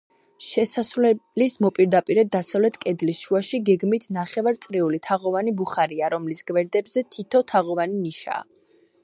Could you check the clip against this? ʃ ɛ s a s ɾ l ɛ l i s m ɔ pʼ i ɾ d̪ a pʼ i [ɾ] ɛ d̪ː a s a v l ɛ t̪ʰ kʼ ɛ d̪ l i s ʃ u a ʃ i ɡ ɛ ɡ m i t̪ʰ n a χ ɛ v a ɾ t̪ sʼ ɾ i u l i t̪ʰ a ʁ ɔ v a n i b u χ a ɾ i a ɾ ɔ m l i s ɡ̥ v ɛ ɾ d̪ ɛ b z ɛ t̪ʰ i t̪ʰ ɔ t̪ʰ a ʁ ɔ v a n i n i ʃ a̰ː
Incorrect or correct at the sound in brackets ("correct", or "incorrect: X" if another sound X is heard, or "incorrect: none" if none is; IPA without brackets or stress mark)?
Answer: correct